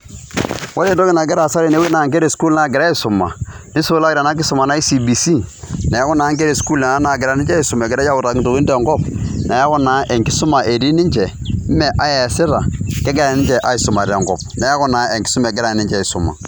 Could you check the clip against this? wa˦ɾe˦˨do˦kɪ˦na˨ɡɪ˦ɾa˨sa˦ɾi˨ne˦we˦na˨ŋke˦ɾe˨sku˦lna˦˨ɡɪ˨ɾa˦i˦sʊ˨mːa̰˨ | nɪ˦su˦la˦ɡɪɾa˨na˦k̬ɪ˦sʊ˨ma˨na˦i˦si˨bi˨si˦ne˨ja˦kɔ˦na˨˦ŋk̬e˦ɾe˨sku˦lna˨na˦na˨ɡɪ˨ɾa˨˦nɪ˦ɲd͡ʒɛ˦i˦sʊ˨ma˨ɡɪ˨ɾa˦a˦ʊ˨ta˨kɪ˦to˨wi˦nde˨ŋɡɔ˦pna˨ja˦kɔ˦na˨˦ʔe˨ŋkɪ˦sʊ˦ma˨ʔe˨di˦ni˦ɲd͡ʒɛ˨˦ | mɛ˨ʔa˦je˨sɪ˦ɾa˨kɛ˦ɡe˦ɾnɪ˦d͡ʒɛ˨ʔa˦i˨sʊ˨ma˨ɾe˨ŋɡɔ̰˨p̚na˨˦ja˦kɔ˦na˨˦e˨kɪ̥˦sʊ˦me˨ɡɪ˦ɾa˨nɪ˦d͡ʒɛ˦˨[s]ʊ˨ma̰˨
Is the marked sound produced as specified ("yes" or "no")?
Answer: yes